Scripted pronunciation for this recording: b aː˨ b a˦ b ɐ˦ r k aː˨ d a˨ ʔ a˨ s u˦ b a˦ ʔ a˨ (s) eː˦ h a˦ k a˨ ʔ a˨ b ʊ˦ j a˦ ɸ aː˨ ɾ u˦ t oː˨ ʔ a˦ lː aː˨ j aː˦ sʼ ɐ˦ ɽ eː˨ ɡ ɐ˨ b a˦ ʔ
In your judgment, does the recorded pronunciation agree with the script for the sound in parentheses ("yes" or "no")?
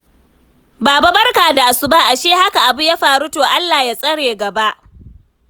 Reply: no